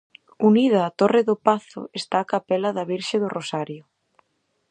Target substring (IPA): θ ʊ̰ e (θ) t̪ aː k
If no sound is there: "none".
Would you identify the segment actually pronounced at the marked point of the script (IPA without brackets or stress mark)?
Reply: s